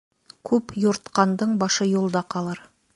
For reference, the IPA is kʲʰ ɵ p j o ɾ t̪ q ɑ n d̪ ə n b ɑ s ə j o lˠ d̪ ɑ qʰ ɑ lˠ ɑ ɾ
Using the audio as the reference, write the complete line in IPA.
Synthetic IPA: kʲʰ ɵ p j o ɾ t̪ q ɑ n d̪ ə ɴ b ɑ ʃ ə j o lˠ d̪ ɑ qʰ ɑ lˠ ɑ ɾ